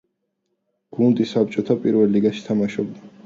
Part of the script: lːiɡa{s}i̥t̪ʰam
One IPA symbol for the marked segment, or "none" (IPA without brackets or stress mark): ʃ